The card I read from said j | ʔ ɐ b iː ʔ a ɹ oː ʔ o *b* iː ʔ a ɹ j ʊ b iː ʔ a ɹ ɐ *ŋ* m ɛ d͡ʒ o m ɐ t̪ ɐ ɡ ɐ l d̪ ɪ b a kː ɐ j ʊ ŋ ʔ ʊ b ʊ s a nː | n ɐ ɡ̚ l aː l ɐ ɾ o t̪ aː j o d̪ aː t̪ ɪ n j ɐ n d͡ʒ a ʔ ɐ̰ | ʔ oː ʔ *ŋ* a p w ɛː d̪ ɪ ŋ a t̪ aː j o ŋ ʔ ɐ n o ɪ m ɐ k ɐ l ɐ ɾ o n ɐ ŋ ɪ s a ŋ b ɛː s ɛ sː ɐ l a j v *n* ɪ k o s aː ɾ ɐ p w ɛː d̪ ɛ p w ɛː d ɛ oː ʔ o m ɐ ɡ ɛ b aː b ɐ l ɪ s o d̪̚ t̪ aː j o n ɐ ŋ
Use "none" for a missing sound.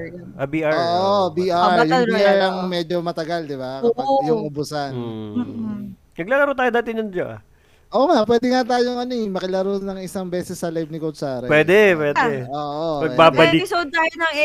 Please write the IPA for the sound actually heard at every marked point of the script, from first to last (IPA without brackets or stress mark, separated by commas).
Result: b, ŋ, ŋ, n